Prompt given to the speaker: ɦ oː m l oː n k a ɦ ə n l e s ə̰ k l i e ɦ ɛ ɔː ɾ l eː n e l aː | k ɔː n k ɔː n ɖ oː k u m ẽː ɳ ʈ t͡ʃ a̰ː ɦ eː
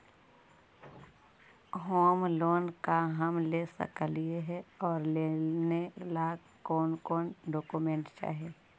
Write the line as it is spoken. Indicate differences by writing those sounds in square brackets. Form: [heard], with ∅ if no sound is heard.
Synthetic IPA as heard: ɦ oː m l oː n k a ɦ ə [m] l e s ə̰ k l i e ɦ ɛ ɔː ɾ l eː n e l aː | k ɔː n k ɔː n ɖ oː k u m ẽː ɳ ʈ t͡ʃ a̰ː ɦ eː